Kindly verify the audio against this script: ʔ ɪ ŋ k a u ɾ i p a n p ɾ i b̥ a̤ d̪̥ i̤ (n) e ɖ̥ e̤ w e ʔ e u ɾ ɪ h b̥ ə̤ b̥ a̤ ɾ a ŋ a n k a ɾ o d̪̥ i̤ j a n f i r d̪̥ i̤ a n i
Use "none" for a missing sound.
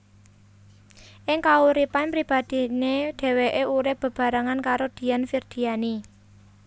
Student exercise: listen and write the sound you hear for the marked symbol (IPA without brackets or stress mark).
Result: n